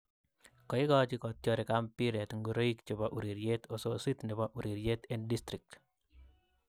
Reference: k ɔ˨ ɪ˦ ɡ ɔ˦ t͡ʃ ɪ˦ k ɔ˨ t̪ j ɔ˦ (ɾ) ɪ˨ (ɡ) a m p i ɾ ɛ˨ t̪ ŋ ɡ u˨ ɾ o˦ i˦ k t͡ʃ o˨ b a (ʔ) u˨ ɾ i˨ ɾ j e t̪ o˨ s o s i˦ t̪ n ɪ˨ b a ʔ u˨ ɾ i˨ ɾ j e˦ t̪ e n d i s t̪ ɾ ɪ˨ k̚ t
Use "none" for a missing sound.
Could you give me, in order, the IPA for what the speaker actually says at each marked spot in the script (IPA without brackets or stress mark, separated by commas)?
ɾ, k, ʔ